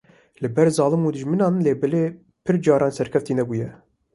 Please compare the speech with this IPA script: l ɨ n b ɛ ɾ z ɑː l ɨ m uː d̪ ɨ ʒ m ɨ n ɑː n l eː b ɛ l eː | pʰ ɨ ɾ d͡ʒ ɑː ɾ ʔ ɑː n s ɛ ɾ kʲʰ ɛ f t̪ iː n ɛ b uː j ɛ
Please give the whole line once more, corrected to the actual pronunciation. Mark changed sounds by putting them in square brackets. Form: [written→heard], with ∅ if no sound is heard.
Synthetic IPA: l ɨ [n→∅] b ɛ ɾ z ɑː l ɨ m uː d̪ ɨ ʒ m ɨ n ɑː n l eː b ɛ l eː | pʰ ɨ ɾ d͡ʒ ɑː ɾ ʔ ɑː n s ɛ ɾ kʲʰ ɛ f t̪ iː n ɛ b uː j ɛ